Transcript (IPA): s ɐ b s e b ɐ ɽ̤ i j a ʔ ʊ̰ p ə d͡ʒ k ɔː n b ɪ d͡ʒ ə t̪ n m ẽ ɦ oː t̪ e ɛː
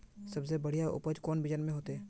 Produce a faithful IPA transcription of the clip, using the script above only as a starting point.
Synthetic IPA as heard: s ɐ b s e b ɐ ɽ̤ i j a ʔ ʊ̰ p ə d͡ʒ k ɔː n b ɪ d͡ʒ ə n m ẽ ɦ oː t̪ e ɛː

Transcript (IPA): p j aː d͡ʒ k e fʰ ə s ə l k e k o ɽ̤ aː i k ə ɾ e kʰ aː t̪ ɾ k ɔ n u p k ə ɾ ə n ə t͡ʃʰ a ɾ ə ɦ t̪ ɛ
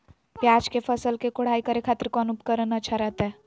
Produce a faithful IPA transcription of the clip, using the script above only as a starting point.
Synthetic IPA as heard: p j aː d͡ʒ k e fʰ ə s ə l k e k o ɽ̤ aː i k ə ɾ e kʰ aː t̪ ɾ k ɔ n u p k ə ɾ ə n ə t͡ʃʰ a ɾ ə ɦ t̪ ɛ

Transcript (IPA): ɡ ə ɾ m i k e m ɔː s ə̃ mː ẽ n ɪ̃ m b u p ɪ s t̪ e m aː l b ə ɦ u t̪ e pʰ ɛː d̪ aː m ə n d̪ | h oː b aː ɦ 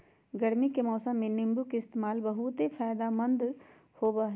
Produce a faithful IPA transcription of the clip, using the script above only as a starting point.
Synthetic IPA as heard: ɡ ə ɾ m i k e m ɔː s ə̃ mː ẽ n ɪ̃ m b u k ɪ s t̪ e m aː l b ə ɦ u t̪ e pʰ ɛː d̪ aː m ə n d̪ | h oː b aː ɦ

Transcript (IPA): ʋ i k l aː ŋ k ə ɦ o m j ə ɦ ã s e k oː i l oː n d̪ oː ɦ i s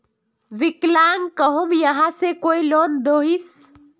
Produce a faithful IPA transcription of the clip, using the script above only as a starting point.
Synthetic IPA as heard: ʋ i k l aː ŋ k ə ɦ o m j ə ɦ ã s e k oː i l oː n d̪ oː ɦ i s

